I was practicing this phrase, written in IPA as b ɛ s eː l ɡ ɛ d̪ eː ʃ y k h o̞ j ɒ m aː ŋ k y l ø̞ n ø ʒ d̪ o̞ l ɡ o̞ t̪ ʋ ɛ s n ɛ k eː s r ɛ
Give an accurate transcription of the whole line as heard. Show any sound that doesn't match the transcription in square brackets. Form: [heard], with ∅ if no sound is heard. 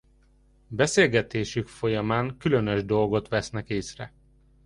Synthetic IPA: b ɛ s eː l ɡ ɛ [t̪] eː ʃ y k [f] o̞ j ɒ m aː ŋ k y l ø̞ n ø ʒ d̪ o̞ l ɡ o̞ t̪ ʋ ɛ s n ɛ k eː s r ɛ